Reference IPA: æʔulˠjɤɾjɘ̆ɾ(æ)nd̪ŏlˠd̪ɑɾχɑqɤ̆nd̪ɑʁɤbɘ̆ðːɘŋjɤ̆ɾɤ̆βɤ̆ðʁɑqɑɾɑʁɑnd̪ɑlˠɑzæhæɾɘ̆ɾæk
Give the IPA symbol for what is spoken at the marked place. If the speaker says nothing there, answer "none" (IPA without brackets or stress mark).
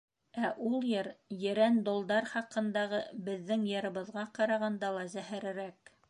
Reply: æ